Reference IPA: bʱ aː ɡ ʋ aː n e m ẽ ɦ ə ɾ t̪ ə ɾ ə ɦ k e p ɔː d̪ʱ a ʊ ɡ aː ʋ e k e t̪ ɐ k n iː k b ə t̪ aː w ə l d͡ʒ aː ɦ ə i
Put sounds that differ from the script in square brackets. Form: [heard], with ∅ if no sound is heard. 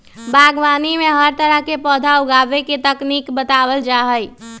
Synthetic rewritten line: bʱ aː ɡ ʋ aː n [i] m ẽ ɦ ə ɾ t̪ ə ɾ ə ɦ k e p ɔː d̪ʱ a ʊ ɡ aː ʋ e k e t̪ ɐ k n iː k b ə t̪ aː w ə l d͡ʒ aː ɦ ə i